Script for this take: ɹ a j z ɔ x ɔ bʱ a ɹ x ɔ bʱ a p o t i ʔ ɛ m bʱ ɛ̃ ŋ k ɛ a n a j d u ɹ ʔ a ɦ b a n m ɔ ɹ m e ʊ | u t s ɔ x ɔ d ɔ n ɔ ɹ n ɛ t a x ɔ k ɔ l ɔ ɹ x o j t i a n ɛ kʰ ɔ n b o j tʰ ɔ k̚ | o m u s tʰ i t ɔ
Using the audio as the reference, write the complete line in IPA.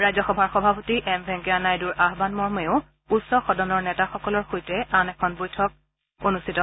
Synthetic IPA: ɹ a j z ɔ x ɔ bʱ a ɹ x ɔ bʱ a p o t i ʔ ɛ m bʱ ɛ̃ ŋ k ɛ a n a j d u ɹ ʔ a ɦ b a n m ɔ ɹ m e ʊ | u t s ɔ x ɔ d ɔ n ɔ ɹ n ɛ t a x ɔ k ɔ l ɔ ɹ x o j t ɛ a n ɛ kʰ ɔ n b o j tʰ ɔ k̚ | o n u s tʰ i t ɔ

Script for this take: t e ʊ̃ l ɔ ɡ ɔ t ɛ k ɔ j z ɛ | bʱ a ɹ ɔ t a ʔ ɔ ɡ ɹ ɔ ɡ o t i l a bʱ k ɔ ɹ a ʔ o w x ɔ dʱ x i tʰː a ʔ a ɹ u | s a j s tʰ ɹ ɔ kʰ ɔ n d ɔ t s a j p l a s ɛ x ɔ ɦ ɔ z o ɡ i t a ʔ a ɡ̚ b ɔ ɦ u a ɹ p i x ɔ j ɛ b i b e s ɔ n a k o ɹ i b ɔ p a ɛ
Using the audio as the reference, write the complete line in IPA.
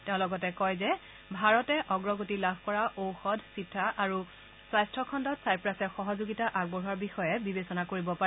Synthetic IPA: t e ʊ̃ l ɔ ɡ ɔ t ɛ k ɔ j z ɛ | bʱ a ɹ ɔ t ɛ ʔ ɔ ɡ ɹ ɔ ɡ o t i l a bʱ k ɔ ɹ a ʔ o w x ɔ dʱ s i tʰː a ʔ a ɹ u | s a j s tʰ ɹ ɔ kʰ ɔ n d ɔ t s a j p ɹ a s ɛ x ɔ ɦ ɔ z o ɡ i t a ʔ a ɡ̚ b ɔ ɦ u a ɹ b i x ɔ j ɛ b i b e s ɔ n a k o ɹ i b ɔ p a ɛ

